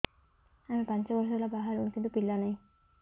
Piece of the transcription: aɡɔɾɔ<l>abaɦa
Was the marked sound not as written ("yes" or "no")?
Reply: no